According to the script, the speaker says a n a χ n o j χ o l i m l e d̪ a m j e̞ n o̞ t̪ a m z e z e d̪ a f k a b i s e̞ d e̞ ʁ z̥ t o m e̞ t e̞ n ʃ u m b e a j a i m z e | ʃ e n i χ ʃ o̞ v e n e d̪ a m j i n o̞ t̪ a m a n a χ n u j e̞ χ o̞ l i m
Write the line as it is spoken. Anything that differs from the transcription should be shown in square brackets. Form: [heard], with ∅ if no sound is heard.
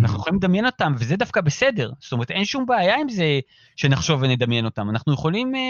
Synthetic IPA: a n a χ n [u] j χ o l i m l e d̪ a m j e̞ n o̞ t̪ a m [v] e z e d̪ a f k a b [e] s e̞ d e̞ ʁ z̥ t o m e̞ t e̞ n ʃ u m b e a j a i m z e | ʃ e n [a] χ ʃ o̞ v e n e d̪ a m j [e] n o̞ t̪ a m a n a χ n u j e̞ χ o̞ l i m